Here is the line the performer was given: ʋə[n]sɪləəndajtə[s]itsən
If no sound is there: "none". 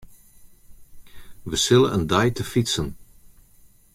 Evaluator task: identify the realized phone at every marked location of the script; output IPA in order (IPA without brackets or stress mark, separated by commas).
none, f